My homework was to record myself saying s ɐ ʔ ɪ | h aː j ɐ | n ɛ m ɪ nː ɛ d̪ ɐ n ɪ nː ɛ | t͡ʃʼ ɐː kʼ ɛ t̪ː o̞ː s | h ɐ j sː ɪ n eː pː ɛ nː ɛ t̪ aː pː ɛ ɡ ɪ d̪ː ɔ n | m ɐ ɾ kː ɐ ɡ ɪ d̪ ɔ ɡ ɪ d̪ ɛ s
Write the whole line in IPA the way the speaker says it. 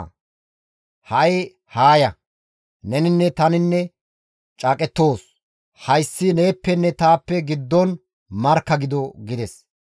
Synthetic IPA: h ɐ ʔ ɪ | h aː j ɐ | n ɛ n ɪ nː ɛ t̪ ɐ n ɪ nː ɛ | t͡ʃʼ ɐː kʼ ɛ t̪ː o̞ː s | h ɐ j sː ɪ n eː pː ɛ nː ɛ t̪ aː pː ɛ ɡ ɪ d̪ː ɔ n | m ɐ ɾ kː ɐ ɡ ɪ d̪ ɔ ɡ ɪ d̪ ɛ s